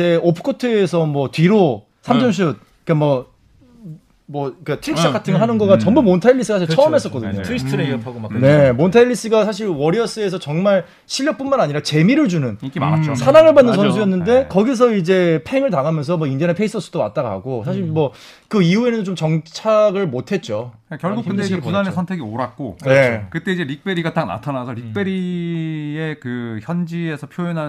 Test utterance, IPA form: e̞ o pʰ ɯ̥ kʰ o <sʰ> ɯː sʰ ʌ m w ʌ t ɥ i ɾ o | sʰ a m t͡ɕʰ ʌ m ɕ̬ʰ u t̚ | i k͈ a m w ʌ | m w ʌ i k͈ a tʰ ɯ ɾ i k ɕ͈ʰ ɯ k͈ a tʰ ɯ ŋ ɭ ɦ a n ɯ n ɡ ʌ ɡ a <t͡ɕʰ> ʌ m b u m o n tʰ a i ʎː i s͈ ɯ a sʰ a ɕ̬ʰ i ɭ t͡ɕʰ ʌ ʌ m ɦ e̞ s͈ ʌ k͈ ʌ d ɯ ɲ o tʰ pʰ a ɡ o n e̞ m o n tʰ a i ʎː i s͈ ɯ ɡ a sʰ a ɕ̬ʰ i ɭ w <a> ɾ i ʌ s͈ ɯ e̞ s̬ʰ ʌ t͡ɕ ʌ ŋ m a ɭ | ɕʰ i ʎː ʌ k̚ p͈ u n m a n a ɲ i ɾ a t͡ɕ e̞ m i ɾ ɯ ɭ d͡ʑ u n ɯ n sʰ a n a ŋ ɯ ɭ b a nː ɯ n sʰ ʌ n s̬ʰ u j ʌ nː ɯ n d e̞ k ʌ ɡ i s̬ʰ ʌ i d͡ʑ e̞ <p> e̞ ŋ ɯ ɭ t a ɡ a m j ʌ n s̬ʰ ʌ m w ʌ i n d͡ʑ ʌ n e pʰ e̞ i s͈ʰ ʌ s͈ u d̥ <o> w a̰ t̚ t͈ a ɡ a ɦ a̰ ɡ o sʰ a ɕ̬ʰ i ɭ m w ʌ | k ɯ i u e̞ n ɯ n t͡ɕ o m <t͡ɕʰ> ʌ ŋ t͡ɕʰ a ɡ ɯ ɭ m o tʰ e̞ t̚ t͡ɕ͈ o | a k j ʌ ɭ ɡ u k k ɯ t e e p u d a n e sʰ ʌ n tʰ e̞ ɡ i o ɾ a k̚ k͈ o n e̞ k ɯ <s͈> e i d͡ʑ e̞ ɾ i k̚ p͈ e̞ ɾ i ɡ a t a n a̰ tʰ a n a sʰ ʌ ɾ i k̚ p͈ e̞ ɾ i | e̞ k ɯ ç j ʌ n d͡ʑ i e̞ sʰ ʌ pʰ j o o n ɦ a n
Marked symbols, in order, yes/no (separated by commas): no, no, no, no, yes, no, no